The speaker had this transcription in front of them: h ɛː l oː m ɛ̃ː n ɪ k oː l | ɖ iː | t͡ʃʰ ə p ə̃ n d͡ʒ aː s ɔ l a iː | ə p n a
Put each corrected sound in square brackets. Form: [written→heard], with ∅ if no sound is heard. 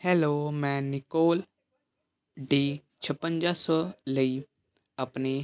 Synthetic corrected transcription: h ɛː l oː m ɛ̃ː n ɪ k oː l | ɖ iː | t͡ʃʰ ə p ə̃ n d͡ʒ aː s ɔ l [a→ə] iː | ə p n [a→e]